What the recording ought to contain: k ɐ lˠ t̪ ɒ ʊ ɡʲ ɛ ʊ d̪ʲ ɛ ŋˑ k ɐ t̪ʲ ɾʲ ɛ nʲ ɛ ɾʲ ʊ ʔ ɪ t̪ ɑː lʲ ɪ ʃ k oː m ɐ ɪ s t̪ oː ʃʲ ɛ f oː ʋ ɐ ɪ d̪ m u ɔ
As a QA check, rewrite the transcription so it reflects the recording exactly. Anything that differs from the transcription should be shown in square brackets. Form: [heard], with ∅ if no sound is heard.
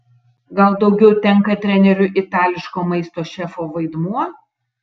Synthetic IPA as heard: [ɡ] ɐ lˠ [d̪] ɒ ʊ ɡʲ ɛ ʊ [t̪ʲ] ɛ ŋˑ k ɐ t̪ʲ ɾʲ ɛ nʲ ɛ ɾʲ ʊ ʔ ɪ t̪ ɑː lʲ ɪ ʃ k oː m ɐ ɪ s t̪ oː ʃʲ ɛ f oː ʋ ɐ ɪ d̪ m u ɔ